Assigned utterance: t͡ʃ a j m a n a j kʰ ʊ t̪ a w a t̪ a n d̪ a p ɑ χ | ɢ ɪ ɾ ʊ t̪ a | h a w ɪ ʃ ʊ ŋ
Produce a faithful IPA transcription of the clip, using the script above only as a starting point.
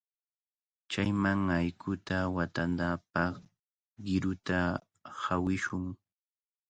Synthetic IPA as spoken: t͡ʃ a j m a ŋ a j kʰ ʊ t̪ a w a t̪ a n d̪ a p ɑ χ | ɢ ɪ ɾ ʊ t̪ a | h a w ɪ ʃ ʊ ŋ